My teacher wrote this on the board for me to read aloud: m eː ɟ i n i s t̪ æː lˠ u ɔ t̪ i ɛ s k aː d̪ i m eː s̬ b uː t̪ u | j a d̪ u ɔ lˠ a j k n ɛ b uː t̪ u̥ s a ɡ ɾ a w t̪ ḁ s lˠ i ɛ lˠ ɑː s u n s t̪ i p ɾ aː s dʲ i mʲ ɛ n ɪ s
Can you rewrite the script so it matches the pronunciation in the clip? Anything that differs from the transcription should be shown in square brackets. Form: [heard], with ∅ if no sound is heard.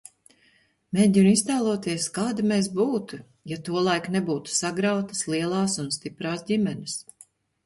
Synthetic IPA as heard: m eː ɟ i n i s t̪ [aː] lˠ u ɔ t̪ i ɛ s k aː d̪ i m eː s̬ b uː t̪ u | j a [t̪] u ɔ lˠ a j k n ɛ b uː t̪ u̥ s a ɡ ɾ a w t̪ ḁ s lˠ i ɛ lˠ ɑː s u n s t̪ i p ɾ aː s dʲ i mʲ ɛ n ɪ s